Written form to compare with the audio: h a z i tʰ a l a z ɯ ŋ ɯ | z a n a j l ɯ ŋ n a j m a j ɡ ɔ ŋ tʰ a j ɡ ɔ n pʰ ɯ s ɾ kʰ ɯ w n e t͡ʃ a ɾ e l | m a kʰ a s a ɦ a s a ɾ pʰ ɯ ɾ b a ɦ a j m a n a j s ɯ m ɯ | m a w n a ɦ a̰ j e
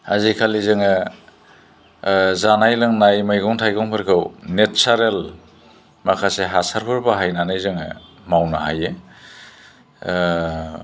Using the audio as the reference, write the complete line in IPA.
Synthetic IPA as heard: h a z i kʰ a l i z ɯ ŋ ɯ | z a n a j l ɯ ŋ n a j m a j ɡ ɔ ŋ tʰ a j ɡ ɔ ŋ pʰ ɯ ɾ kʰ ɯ w n e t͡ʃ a ɾ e l | m a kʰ a s e ɦ a s a ɾ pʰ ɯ ɾ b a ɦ a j n a n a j z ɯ ŋ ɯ | m a w n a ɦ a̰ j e